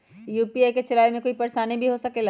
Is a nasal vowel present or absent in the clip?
present